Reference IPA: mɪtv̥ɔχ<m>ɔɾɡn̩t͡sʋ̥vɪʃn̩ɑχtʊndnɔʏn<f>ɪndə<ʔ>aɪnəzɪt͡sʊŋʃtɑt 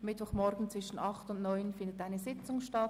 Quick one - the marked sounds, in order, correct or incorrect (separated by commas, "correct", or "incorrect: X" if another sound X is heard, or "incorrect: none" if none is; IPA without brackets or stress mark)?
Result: correct, correct, incorrect: t